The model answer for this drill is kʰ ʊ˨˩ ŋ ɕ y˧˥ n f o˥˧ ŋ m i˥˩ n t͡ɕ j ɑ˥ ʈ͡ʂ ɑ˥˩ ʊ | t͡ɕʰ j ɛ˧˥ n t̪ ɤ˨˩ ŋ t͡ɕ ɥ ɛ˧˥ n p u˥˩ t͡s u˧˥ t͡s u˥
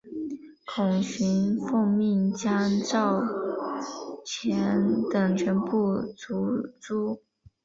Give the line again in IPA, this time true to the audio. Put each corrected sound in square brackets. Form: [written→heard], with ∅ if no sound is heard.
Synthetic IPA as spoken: kʰ ʊ˨˩ ŋ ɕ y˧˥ n f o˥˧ ŋ m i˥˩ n t͡ɕ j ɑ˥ ʈ͡ʂ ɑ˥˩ ʊ | t͡ɕʰ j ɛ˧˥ n t̪ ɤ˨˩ ŋ [t͡ɕ→t͡ɕʰ] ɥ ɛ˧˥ n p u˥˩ t͡s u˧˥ t͡s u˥